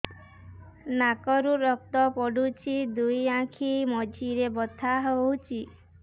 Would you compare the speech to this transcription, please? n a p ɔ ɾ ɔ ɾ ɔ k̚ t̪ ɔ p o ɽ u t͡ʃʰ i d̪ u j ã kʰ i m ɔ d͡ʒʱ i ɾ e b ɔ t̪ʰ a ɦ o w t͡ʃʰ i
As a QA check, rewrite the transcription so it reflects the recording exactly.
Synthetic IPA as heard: n a k ɔ ɾ u ɾ ɔ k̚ t̪ ɔ p ɔ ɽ u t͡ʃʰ i d̪ u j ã kʰ i m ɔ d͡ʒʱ i ɾ e b ɔ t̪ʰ a ɦ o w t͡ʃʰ i